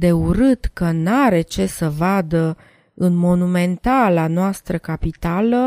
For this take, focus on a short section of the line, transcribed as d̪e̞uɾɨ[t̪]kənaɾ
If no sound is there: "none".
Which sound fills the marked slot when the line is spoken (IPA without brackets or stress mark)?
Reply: t̪